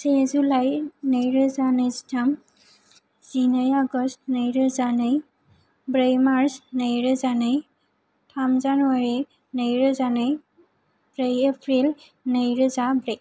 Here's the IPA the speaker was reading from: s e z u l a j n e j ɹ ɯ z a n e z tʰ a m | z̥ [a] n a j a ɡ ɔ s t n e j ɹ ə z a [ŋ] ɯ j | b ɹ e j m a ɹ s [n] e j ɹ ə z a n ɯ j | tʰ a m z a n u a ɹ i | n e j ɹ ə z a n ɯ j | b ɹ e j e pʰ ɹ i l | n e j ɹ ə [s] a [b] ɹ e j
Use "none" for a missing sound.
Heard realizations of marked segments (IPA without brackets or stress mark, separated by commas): i, n, n, z, b